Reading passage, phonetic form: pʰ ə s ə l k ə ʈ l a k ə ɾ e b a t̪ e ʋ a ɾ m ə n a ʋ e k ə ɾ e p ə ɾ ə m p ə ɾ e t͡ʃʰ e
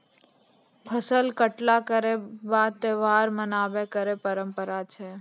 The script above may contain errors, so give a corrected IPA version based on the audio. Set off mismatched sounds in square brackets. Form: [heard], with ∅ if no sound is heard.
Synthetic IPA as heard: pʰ ə s ə l k ə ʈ l a k ə ɾ e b a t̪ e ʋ a ɾ m ə n a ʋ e k ə ɾ e p ə ɾ ə m p ə ɾ [a] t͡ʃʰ e